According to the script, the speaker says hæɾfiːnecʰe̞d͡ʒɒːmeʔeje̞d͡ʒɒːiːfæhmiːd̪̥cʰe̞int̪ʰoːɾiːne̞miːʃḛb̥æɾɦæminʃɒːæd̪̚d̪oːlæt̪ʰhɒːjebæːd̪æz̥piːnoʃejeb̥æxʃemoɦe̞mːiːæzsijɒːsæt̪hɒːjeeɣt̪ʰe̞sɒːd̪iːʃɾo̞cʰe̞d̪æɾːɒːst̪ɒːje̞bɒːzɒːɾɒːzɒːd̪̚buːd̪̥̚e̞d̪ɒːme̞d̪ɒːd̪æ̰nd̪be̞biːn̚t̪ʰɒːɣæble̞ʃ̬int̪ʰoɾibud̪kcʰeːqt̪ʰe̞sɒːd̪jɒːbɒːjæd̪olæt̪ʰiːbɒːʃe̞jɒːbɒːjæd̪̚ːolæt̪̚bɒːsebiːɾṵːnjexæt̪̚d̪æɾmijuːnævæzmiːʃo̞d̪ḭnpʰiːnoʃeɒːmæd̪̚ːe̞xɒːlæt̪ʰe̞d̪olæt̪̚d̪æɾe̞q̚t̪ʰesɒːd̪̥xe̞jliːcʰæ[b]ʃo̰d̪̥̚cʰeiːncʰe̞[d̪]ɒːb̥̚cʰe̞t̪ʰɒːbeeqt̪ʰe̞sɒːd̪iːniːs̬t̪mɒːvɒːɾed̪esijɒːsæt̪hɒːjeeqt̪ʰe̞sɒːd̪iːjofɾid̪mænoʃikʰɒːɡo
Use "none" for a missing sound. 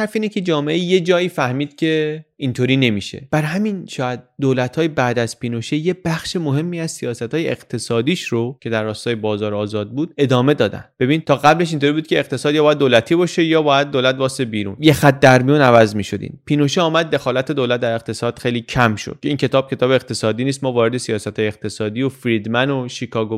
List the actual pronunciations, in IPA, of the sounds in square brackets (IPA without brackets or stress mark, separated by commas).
m, t̪